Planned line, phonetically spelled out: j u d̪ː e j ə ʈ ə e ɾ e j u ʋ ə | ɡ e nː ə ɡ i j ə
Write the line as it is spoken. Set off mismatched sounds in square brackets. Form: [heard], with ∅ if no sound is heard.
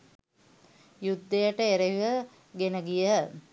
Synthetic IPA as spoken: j u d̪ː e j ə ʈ ə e ɾ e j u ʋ ə | ɡ e [n] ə ɡ i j ə